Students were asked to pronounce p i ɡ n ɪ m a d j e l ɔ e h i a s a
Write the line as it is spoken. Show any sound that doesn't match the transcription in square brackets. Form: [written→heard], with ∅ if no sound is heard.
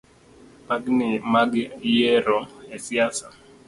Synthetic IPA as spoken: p [i→a] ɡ n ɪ m a [d→ɡ] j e [l→ɾ] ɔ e [h→s] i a s a